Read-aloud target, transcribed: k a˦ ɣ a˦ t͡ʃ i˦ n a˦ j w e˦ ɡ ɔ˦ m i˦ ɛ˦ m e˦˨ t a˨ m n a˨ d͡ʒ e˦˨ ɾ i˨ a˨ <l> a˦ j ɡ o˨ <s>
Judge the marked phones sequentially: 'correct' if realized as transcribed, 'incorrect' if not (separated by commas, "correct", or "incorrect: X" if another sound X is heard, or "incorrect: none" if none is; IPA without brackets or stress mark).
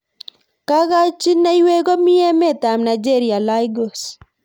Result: correct, correct